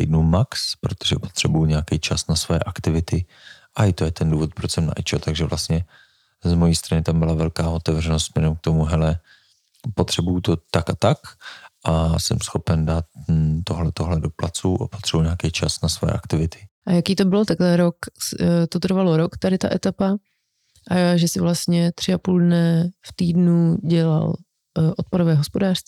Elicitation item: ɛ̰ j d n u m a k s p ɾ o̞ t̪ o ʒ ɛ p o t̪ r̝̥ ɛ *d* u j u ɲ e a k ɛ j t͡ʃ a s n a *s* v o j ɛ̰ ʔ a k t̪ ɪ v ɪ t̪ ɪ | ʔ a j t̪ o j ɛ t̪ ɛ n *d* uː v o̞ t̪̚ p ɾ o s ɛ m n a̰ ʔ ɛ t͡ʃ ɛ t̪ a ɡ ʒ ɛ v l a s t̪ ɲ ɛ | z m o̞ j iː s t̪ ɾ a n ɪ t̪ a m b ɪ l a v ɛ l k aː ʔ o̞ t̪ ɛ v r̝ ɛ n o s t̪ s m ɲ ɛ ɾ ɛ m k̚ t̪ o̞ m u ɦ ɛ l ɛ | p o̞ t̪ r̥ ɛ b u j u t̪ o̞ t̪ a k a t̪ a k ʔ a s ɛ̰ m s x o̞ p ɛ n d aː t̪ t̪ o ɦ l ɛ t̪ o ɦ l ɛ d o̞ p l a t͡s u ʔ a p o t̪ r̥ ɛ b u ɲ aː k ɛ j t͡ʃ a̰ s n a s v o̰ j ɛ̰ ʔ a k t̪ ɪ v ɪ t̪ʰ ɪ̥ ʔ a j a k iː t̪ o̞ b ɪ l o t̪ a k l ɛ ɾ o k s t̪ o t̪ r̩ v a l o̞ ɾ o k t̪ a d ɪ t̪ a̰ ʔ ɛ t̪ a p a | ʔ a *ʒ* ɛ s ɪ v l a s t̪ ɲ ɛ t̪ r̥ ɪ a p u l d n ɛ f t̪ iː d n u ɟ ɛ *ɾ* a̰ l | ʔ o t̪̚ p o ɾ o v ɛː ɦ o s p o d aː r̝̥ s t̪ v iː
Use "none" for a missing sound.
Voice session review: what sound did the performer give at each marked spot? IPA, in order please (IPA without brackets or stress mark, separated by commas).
b, s, d, ʒ, l